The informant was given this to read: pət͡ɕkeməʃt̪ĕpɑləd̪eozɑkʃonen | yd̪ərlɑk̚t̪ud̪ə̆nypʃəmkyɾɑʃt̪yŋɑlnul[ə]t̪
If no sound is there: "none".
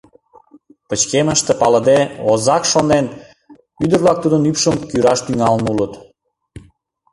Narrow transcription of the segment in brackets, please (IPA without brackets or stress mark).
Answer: ə